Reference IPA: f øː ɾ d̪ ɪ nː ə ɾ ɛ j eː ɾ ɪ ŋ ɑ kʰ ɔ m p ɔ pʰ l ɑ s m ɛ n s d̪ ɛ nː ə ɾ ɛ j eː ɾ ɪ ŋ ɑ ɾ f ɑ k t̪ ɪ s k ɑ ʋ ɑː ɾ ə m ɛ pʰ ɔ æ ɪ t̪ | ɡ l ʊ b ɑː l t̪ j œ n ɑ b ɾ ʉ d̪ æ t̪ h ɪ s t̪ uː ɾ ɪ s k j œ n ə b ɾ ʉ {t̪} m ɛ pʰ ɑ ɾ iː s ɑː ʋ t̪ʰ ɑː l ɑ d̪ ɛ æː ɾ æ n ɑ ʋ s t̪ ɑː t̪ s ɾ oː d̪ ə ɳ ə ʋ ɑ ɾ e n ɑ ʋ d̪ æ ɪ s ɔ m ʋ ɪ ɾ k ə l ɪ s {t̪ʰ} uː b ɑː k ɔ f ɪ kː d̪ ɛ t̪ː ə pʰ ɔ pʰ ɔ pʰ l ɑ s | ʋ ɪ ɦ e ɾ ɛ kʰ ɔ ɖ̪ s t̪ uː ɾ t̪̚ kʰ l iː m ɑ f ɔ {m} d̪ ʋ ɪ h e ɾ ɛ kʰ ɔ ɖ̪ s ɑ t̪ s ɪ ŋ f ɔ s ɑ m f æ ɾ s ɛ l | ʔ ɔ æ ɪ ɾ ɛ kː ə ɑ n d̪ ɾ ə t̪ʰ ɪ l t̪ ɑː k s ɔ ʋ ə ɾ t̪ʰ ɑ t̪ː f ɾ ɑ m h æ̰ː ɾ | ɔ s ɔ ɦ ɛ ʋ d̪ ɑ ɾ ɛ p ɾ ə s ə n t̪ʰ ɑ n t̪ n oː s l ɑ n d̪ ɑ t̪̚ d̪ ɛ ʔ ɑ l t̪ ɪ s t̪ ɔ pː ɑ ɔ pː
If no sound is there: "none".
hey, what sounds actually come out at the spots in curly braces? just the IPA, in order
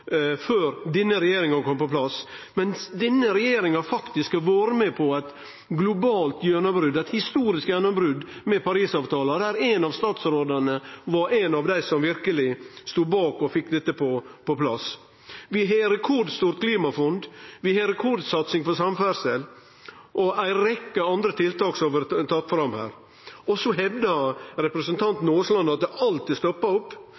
d̪, t̪, n

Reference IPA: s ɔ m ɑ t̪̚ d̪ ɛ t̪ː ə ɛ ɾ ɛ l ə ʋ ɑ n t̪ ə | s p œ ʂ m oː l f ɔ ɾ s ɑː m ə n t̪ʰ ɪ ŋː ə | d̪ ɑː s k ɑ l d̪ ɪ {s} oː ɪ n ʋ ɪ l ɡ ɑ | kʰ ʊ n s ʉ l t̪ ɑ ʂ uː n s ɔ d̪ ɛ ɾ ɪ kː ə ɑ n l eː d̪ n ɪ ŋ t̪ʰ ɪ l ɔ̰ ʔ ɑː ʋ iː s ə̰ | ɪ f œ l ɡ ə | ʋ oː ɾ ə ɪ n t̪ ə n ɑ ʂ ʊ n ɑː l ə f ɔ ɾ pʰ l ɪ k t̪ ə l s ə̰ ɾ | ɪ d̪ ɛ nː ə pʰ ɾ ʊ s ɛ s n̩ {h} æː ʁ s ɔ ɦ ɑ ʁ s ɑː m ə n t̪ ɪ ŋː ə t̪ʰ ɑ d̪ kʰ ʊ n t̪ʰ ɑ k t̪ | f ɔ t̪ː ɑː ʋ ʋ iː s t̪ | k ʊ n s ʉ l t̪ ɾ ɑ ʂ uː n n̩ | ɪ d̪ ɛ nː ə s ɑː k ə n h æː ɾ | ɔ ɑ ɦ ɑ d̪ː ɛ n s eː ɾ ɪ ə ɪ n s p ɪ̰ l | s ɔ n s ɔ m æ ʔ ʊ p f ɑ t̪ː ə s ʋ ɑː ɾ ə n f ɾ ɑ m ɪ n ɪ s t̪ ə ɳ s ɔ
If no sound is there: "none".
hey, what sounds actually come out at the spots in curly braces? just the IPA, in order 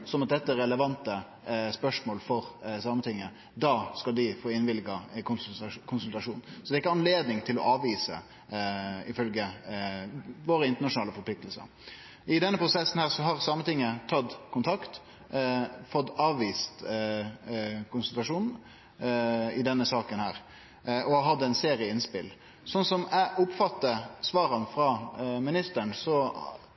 f, h

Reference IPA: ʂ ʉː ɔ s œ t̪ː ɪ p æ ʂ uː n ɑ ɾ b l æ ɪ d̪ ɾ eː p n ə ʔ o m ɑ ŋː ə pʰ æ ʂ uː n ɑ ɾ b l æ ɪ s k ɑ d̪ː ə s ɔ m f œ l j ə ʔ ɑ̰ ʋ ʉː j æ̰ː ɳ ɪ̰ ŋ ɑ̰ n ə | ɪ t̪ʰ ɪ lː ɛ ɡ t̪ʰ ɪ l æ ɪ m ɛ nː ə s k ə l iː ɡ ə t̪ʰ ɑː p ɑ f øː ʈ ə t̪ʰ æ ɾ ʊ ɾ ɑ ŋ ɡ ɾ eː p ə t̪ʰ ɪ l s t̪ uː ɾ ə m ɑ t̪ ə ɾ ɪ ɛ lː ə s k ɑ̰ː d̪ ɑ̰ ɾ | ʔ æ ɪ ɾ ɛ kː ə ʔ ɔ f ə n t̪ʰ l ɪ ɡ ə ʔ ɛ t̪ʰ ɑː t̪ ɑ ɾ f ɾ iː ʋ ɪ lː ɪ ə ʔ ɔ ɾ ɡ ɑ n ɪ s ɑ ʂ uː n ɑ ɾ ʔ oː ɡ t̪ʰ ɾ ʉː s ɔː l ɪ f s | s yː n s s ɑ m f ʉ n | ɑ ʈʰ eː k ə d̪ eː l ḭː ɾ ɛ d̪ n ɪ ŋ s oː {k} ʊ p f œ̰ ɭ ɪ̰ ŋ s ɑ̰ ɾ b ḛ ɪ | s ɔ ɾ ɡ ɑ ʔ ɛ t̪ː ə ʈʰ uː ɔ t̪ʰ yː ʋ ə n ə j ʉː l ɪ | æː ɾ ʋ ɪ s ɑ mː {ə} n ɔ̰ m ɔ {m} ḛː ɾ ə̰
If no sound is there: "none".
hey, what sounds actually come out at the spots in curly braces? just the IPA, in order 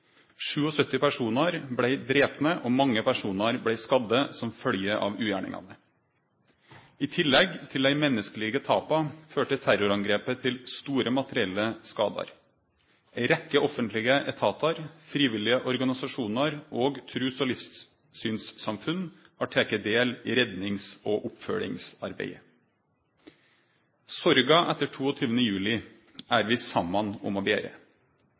ʔ, ɑ, b

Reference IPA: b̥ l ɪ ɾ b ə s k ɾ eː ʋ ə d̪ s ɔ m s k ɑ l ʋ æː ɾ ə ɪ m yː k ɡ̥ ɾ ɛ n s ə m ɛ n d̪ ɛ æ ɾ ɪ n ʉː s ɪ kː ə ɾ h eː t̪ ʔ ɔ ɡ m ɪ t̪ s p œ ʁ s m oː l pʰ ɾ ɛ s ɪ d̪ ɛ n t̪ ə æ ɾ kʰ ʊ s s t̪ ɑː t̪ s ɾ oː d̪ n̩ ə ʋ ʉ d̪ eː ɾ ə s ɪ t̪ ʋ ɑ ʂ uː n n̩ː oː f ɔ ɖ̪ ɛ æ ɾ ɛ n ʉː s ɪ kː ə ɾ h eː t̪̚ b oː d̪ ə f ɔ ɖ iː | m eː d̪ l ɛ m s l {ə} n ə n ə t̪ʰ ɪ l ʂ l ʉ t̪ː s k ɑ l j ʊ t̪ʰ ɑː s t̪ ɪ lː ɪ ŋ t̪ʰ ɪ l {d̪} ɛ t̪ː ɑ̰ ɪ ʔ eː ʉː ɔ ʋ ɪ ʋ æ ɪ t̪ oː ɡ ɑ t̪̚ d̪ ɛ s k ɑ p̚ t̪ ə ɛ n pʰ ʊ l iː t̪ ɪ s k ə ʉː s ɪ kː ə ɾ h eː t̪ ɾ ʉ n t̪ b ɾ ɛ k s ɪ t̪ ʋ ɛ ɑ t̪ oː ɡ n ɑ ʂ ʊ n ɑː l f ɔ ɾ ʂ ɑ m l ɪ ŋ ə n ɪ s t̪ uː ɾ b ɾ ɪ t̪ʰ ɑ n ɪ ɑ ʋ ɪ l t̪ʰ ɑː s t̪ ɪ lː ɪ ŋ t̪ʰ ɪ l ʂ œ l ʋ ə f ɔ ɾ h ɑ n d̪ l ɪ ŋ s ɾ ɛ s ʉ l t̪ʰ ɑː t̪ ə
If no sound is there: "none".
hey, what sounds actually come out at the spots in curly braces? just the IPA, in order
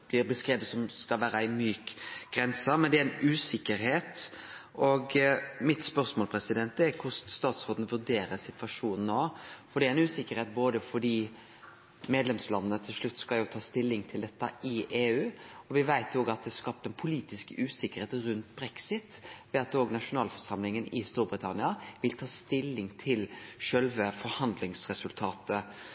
ɑ, d̪

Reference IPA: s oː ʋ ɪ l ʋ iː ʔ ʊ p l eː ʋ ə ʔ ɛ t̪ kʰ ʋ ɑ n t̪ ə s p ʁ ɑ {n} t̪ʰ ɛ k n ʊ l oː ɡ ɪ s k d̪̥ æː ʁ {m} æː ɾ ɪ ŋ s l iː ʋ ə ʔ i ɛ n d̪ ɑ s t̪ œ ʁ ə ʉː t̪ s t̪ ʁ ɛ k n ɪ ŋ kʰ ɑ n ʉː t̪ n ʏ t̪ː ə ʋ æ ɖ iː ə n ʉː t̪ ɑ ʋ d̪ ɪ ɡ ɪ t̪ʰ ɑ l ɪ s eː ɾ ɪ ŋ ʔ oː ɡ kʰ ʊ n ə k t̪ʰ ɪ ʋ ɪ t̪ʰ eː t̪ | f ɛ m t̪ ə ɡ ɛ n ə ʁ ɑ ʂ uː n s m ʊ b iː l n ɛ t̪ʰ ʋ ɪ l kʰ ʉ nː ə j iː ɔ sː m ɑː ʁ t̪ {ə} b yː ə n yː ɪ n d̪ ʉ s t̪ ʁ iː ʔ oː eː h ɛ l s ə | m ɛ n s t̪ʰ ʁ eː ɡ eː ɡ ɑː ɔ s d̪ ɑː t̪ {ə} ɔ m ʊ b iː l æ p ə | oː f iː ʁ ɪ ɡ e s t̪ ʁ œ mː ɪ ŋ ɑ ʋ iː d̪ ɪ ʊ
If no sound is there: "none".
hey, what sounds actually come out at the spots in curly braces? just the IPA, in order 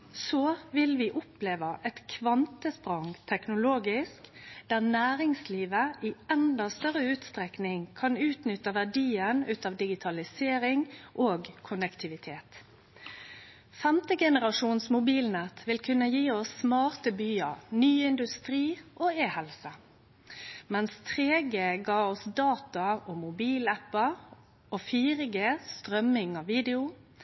ŋ, n, ə, ɑ

